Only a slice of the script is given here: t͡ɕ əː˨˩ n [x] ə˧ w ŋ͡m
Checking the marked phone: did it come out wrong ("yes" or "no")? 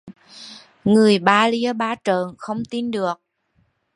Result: no